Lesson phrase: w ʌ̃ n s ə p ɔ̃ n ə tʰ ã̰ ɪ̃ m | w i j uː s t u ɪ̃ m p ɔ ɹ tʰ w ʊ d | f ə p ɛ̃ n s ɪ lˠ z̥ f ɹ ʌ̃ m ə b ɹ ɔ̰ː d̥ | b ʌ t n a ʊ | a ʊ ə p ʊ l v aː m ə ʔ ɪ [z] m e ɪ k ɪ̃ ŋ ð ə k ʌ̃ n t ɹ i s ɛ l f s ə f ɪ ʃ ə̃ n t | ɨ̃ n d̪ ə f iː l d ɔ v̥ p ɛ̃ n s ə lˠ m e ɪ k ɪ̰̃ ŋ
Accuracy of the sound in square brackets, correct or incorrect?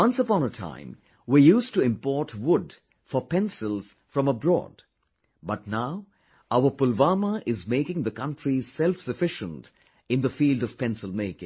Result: correct